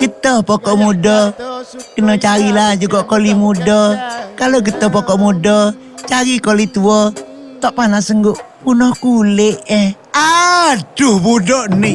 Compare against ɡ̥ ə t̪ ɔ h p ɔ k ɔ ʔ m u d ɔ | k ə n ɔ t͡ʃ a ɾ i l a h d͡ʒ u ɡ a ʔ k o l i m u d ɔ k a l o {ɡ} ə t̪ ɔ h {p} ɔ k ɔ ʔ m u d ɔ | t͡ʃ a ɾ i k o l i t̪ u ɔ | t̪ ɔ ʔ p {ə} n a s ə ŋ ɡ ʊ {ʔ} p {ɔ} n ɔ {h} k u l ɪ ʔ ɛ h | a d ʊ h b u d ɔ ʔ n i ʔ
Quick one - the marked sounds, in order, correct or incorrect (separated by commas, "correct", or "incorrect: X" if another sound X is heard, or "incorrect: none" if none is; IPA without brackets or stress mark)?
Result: correct, correct, incorrect: a, correct, incorrect: u, correct